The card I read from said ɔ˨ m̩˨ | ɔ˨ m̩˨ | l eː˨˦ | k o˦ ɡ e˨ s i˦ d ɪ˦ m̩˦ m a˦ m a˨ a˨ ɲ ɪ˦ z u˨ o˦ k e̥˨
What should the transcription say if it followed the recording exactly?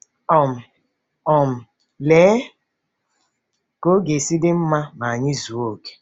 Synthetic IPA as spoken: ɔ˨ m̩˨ | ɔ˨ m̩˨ | l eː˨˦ | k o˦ ɡ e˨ s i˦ d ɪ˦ m̩˦ m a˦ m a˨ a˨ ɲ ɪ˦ z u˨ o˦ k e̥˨